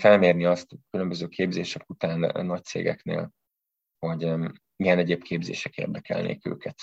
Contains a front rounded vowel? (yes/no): yes